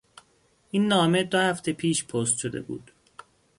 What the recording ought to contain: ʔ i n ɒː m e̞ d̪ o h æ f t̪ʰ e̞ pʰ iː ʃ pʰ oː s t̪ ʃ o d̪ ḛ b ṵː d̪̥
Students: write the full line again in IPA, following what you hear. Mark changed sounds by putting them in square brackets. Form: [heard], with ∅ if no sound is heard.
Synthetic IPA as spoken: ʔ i [nː] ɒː m e̞ d̪ o h æ f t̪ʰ e̞ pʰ iː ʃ pʰ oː s t̪ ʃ o d̪ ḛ b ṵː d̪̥